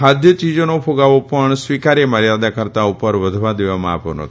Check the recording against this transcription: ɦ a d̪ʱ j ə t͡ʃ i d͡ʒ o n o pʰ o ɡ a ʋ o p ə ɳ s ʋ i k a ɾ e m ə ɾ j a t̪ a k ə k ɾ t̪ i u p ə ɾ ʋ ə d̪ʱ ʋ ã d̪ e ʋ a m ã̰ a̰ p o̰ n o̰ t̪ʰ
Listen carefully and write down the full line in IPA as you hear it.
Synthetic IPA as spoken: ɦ a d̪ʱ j ə t͡ʃ i d͡ʒ o n o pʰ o ɡ a ʋ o p ə ɳ s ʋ i k a ɾ e m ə ɾ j a d̪ a k ə ɾ t̪ a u p ə ɾ ʋ ə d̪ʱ ʋ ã d̪ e ʋ a m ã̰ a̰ p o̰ n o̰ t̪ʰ

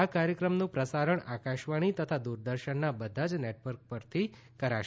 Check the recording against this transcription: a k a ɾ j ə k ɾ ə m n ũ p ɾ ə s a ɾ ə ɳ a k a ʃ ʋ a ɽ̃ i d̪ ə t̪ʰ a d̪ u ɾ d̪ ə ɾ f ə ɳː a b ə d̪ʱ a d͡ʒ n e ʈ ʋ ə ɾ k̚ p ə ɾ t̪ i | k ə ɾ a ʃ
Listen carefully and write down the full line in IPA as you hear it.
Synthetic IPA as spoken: a k a ɾ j ə k ɾ ə m n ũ p ɾ ə s a ɾ ə ɳ a k a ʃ ʋ a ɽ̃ i t̪ ə t̪ʰ a d̪ u ɾ d̪ ə ɾ ʃ ə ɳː a b ə d̪ʱ a d͡ʒ n e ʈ ʋ ə ɾ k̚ p ə ɾ t̪ʰ i | k ə ɾ a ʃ

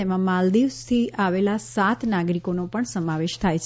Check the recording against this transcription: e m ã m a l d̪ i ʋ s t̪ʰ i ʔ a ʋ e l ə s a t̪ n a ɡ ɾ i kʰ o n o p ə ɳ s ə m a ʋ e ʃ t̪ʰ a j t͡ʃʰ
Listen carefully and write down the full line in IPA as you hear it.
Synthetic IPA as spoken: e m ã m a l d̪ i ʋ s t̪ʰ i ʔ a ʋ e l a s a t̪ n a ɡ ɾ i k o n o p ə ɳ s ə m a ʋ e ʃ t̪ʰ a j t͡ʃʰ

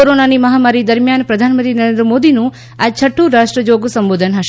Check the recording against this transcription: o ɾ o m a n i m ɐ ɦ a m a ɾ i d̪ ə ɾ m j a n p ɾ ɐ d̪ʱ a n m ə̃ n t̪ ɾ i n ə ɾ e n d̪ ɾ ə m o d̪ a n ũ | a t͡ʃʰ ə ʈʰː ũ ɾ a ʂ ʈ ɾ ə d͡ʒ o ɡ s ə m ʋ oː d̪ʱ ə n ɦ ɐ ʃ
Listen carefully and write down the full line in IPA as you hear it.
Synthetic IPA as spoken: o ɾ o n a n i m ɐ ɦ a m a ɾ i d̪ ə ɾ m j a n p ɾ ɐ d̪ʱ a n m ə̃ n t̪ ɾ i n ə ɾ e n d̪ ɾ ə m o d̪ i n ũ | a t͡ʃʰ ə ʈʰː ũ ɾ a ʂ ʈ ɾ ə d͡ʒ o ɡ s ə m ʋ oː d̪ʱ ə n ɦ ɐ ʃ

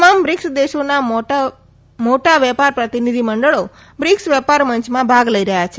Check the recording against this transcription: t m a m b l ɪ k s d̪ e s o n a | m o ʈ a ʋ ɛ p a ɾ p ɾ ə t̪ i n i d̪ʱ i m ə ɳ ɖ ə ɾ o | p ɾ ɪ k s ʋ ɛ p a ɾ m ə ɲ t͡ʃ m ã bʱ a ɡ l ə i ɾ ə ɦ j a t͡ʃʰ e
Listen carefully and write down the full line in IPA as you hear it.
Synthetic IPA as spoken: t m a m b ɾ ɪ k s d̪ e ʃ o n a | m o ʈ a ʋ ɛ p a ɾ p ɾ ə t̪ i n i d̪ʱ i m ə ɳ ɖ ə ɭ o | b ɾ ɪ k s ʋ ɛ p a ɾ m ə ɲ t͡ʃ m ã bʱ a ɡ l ə i ɾ ə ɦ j a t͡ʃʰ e

